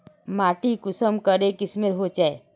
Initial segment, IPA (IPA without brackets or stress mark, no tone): m